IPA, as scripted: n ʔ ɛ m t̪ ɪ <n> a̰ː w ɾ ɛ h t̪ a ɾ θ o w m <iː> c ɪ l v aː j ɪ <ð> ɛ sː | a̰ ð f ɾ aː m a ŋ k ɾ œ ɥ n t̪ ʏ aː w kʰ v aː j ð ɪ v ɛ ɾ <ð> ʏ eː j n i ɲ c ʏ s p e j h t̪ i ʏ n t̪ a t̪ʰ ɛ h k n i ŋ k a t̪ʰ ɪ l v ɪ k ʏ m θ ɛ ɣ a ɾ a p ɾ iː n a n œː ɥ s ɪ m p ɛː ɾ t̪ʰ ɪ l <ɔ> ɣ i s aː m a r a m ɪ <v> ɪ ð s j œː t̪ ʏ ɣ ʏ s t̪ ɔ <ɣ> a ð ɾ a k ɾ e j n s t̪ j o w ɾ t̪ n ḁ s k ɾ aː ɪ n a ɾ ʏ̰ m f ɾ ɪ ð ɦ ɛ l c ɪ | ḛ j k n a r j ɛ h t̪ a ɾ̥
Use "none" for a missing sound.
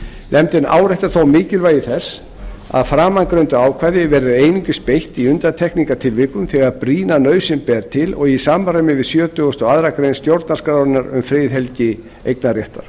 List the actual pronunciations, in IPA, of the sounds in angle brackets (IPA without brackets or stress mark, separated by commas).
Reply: n, ɪː, θ, ð, ɔ, v, ɣ